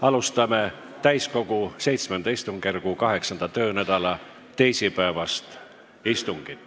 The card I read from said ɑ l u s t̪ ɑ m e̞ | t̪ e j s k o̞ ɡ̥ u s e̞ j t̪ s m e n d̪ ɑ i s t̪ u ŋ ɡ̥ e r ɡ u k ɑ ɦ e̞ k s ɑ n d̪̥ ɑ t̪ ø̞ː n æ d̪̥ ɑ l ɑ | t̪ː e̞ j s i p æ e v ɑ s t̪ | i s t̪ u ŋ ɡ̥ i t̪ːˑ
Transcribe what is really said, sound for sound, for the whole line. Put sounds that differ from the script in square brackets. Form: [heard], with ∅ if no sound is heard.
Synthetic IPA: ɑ l u s t̪ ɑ m e̞ | t̪ [æ] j s k o̞ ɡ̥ u s e̞ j t̪ s m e n d̪ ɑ i s t̪ u ŋ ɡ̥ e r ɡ u k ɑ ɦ e̞ k s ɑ n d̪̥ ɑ t̪ ø̞ː n æ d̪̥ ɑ l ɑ | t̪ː e̞ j s i p æ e v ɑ s t̪ | i s t̪ u ŋ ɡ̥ i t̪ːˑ